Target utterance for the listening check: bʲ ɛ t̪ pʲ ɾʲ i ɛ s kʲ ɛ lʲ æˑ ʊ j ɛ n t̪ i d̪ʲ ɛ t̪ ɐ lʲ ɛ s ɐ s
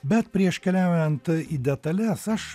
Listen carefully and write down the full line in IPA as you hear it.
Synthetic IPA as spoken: bʲ ɛ t̪ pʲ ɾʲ i ɛ ʃ kʲ ɛ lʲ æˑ ʊ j ɛ n t̪ i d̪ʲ ɛ t̪ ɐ lʲ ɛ s ɐ ʃ